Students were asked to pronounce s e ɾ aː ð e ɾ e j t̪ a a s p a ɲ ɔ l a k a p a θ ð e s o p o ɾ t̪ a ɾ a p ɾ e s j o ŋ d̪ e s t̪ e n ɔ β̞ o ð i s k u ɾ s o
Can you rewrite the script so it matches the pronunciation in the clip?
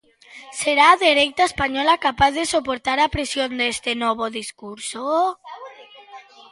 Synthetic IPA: s e ɾ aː ð e ɾ e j t̪ a e s p a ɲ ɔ l a k a p a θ ð e s o p o ɾ t̪ a ɾ a p ɾ e s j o n d̪ e s t̪ e n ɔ β̞ o ð i s k u ɾ s o

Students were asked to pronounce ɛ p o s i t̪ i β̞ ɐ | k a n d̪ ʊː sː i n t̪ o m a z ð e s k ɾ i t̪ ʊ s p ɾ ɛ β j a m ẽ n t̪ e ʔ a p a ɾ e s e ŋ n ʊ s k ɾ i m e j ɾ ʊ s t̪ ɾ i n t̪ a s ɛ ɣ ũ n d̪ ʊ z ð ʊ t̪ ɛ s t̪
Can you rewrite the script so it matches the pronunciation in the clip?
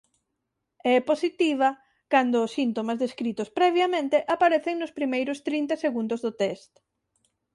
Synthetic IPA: ɛ p o s i t̪ i β̞ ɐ | k a n d̪ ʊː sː i n t̪ o m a z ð e s k ɾ i t̪ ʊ s p ɾ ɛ β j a m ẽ n t̪ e ʔ a p a ɾ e θ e ŋ n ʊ s p ɾ i m e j ɾ ʊ s t̪ ɾ i n t̪ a s e ɣ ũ n d̪ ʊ z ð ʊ t̪ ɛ s t̪

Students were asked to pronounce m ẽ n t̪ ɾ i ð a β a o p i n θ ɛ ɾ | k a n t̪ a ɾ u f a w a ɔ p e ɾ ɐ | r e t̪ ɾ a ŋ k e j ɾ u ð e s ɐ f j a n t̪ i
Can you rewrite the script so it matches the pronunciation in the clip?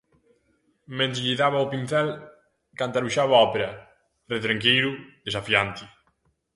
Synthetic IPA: m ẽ n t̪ ʎ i ð a β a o p i n θ ɛ l | k a n t̪ a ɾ u ʃ a β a ɔ p e ɾ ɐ | r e t̪ ɾ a ŋ k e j ɾ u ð e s a f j a n t̪ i

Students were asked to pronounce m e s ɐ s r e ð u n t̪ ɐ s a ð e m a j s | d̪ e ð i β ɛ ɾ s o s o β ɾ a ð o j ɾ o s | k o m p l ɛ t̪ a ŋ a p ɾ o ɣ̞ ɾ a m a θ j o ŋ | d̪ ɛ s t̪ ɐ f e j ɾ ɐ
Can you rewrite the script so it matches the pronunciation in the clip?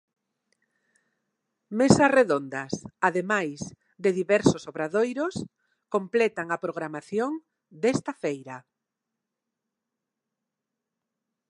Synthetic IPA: m e s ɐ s r e ð o n d̪ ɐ s a ð e m a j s | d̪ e ð i β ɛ ɾ s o s o β ɾ a ð o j ɾ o s | k o m p l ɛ t̪ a ŋ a p ɾ o ɣ̞ ɾ a m a θ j o ŋ | d̪ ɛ s t̪ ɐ f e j ɾ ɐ

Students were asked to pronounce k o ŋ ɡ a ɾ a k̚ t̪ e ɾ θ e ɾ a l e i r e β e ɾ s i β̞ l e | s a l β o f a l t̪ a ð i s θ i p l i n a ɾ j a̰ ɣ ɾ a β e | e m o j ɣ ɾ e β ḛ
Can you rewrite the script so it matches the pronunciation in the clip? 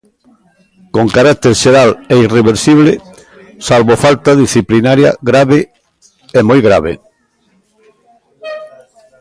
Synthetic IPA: k o ŋ k a ɾ a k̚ t̪ e ɾ ʃ e ɾ a l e i r e β e ɾ s i β̞ l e | s a l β o f a l t̪ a ð i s θ i p l i n a ɾ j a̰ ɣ ɾ a β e | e m o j ɣ ɾ a β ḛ

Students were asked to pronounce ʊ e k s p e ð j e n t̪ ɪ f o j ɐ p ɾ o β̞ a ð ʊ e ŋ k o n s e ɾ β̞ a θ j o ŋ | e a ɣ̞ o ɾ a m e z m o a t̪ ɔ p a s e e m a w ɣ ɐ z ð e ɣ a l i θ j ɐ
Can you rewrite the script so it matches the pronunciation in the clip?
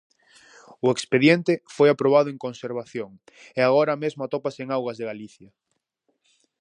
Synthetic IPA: ʊ e k s p e ð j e n t̪ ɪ f o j a p ɾ o β̞ a ð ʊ e ŋ k o n s e ɾ β̞ a θ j o ŋ | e a ɣ̞ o ɾ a m e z m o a t̪ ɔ p a s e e ŋ a w ɣ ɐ z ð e ɣ a l i θ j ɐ

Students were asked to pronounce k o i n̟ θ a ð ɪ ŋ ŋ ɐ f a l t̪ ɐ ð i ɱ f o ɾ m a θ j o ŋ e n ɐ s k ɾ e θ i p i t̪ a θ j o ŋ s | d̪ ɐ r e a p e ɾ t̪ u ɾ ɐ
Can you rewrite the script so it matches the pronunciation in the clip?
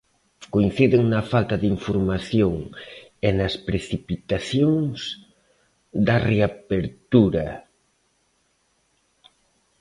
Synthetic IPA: k o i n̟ θ i ð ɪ ŋ n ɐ f a l t̪ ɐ ð i ɱ f o ɾ m a θ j o ŋ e n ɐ s p ɾ e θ i p i t̪ a θ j o ŋ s | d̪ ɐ r e a p e ɾ t̪ u ɾ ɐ

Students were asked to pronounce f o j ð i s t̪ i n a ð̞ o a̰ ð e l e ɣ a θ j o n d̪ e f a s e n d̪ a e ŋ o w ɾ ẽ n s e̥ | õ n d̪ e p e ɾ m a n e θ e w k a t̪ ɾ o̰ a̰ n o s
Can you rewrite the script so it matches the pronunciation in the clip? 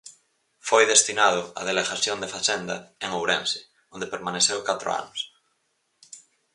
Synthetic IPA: f o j ð e s t̪ i n a ð̞ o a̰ ð e l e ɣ a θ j o n d̪ e f a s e n d̪ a e ŋ o w ɾ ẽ n s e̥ | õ n d̪ e p e ɾ m a n e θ e w k a t̪ ɾ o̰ a̰ n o s

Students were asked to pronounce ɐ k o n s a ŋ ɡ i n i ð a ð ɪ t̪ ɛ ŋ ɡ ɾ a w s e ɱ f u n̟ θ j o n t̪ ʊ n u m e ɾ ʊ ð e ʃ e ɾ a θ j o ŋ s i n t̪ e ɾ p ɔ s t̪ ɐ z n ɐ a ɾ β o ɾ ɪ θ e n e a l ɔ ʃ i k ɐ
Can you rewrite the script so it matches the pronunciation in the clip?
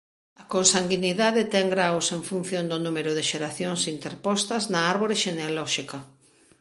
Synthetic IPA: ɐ k o n s a ŋ ɡ i n i ð a ð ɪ t̪ ɛ ŋ ɡ ɾ a w s e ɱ f u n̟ θ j o n d̪ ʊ n u m e ɾ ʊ ð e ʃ e ɾ a θ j o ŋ s i n t̪ e ɾ p ɔ s t̪ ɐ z n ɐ a ɾ β o ɾ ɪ ʃ e n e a l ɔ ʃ i k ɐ

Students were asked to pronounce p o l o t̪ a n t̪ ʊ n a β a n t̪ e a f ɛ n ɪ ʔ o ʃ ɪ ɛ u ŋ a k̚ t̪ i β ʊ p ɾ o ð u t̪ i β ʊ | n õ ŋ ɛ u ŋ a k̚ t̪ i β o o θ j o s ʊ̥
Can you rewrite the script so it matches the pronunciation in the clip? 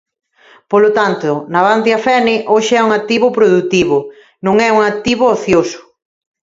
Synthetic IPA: p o l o t̪ a n t̪ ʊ n a β a n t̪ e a f ɛ n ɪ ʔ o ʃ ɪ ɛ u ŋ a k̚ t̪ i β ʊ p ɾ o ð u t̪ i β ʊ | n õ ŋ ɛ u ŋ a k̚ t̪ i β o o θ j o s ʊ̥

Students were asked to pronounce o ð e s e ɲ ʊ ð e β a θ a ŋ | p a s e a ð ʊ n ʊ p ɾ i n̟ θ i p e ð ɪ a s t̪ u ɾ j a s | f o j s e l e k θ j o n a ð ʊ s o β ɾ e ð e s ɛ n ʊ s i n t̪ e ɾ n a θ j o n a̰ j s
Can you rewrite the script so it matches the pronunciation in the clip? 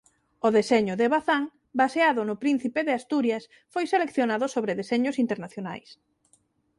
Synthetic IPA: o ð e s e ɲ ʊ ð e β a θ a ŋ | b a s e a ð ʊ n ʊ p ɾ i n̟ θ i p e ð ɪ a s t̪ u ɾ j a s | f o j s e l e k θ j o n a ð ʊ s o β ɾ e ð e s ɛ ɲ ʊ s i n t̪ e ɾ n a θ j o n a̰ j s

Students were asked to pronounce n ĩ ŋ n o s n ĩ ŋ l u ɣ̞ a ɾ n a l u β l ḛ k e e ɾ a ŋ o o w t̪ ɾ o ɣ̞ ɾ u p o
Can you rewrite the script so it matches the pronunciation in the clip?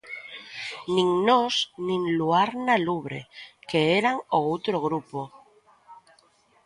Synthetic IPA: n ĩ ŋ n o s n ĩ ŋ l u a ɾ n a l u β ɾ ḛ k e e ɾ a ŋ o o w t̪ ɾ o ɣ̞ ɾ u p o

